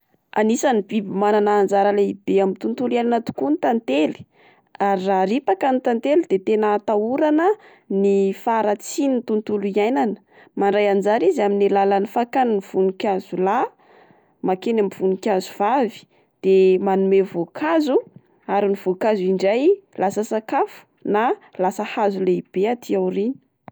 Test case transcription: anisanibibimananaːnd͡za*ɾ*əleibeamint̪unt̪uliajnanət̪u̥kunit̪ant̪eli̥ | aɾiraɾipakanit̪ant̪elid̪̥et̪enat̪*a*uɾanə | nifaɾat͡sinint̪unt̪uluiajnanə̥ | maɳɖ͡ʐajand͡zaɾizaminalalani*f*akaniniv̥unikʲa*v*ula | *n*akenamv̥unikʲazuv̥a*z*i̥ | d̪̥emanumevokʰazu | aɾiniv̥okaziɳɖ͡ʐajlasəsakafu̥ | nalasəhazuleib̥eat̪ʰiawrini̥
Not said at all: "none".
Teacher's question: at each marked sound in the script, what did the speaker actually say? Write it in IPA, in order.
ɾ, a, f, z, m, v

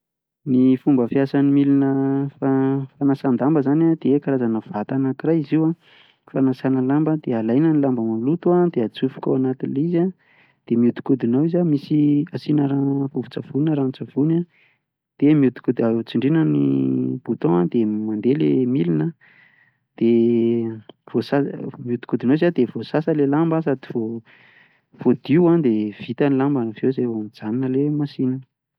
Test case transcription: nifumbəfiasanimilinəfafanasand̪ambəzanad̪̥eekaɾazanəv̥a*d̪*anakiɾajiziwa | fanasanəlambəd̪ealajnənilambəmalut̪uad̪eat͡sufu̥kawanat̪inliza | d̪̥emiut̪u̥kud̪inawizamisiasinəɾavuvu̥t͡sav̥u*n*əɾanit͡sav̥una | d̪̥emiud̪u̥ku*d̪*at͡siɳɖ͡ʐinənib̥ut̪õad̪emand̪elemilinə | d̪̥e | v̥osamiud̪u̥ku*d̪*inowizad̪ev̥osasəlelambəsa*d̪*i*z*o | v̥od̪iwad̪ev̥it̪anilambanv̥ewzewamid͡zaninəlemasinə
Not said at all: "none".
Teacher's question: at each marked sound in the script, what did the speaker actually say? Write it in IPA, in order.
t̪, n, d̪, d̪, d̪, v

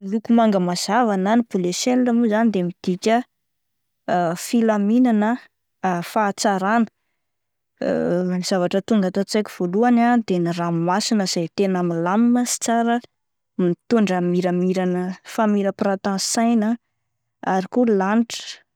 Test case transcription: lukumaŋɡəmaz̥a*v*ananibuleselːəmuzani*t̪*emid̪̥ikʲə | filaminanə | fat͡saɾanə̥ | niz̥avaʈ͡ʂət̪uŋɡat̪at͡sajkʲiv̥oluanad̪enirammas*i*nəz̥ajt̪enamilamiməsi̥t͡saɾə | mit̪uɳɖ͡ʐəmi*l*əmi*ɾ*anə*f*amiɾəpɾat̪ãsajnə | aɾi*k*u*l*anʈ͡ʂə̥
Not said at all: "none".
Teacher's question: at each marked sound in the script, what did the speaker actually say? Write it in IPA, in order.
v, d̪, i, ɾ, ɾ, f, k, l

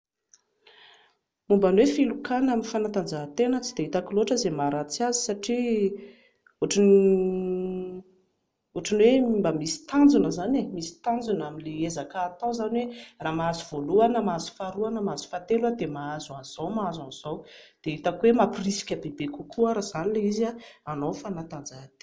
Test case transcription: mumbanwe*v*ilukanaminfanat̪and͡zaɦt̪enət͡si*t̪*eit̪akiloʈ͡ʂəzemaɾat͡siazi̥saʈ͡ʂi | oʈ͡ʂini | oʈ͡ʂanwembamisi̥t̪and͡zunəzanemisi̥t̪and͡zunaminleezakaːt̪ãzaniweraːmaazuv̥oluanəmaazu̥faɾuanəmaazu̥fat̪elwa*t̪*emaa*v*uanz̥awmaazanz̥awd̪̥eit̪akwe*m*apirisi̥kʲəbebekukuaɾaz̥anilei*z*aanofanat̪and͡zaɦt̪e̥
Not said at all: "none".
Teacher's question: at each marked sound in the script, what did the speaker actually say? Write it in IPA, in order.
f, d̪, d̪, z, m, z

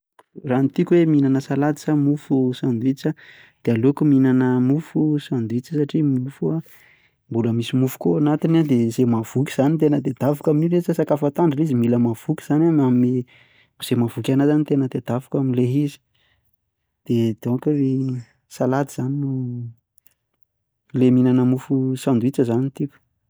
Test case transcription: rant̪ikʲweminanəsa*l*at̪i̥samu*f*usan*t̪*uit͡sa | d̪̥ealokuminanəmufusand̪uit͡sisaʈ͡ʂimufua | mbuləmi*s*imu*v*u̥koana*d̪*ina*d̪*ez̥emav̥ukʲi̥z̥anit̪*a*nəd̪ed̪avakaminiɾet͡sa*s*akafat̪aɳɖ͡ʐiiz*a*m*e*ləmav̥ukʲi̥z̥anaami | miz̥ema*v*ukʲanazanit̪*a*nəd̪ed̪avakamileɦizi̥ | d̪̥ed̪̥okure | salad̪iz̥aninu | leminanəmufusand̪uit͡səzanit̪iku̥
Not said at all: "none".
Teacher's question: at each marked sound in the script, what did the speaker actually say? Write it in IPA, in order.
l, f, d̪, s, f, t̪, d̪, e, s, i, i, v, e

